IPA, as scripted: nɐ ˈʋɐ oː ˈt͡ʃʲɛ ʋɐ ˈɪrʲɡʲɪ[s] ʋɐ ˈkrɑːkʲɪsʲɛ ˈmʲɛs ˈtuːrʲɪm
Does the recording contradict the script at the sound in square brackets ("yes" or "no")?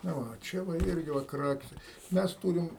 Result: yes